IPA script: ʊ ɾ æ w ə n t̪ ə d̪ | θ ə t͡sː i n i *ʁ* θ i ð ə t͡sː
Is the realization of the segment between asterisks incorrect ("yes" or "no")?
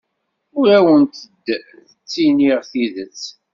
no